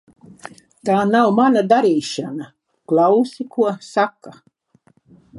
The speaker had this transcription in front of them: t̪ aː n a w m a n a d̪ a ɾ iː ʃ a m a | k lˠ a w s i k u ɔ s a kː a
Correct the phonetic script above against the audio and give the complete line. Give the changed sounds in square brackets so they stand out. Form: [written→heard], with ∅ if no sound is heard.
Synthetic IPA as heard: t̪ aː n a w m a n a d̪ a ɾ iː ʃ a [m→n] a | k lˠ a w s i k u ɔ s a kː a